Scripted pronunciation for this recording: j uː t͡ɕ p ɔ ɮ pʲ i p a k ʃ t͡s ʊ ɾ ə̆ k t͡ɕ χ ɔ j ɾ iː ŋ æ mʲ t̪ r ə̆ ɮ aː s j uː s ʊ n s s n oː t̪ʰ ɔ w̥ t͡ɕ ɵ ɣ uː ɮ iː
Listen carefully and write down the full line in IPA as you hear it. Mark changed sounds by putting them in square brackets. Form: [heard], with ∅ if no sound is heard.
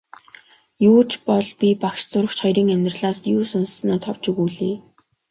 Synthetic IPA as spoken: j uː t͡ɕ p ɔ ɮ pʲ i p a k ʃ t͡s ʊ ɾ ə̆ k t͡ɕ χ ɔ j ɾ iː ŋ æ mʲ t̪ r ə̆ ɮ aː s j uː s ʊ n s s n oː t̪ʰ ɔ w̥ t͡ɕ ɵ ɣ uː ɮ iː